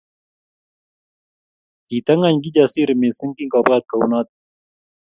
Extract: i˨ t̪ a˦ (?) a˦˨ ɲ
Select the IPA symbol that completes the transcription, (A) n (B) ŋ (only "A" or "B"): B